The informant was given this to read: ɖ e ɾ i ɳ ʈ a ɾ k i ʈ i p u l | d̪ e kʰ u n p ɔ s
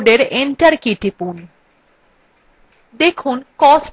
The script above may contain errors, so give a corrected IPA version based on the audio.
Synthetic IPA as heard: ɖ e ɾ e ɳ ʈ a ɾ k i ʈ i p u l | d̪ e kʰ u n k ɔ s